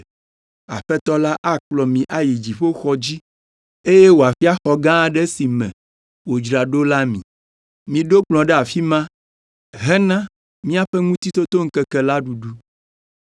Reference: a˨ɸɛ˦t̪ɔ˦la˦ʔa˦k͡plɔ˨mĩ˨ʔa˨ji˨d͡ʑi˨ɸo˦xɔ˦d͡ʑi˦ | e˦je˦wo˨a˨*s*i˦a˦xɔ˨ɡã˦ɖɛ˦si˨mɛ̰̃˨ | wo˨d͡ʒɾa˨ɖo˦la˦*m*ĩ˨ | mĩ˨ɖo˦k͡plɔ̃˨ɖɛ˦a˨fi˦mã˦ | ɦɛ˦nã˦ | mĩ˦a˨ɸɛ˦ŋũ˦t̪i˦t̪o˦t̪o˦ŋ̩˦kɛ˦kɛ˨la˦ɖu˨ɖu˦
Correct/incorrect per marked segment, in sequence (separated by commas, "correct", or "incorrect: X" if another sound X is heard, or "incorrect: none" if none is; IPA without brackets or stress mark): incorrect: f, correct